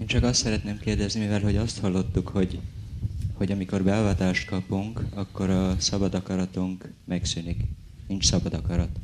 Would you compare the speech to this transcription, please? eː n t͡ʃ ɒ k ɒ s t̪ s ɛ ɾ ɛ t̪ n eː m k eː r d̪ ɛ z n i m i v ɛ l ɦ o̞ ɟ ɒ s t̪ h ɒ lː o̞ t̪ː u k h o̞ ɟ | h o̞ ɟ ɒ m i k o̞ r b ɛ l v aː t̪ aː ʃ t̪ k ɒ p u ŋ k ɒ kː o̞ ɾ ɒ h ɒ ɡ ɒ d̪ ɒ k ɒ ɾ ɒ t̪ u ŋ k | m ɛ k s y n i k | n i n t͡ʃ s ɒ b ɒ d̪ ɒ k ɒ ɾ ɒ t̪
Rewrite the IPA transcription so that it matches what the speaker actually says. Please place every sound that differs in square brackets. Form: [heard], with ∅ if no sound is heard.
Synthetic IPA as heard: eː n t͡ʃ ɒ k ɒ s t̪ s ɛ ɾ ɛ t̪ n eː m k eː r d̪ ɛ z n i m i v ɛ l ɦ o̞ ɟ ɒ s t̪ h ɒ lː o̞ t̪ː u k h o̞ ɟ | h o̞ ɟ ɒ m i k o̞ r b ɛ l v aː t̪ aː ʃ t̪ k ɒ p u ŋ k ɒ kː o̞ ɾ ɒ [s] ɒ [b] ɒ d̪ ɒ k ɒ ɾ ɒ t̪ u ŋ k | m ɛ k s y n i k | n i n t͡ʃ s ɒ b ɒ d̪ ɒ k ɒ ɾ ɒ t̪